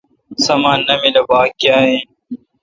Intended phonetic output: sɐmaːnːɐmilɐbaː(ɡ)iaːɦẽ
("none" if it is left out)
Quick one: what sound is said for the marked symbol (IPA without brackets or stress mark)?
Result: k